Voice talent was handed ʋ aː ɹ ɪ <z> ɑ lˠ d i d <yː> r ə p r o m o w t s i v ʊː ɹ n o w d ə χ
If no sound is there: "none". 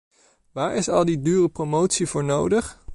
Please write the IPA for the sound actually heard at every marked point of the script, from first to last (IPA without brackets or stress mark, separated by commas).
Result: s, yː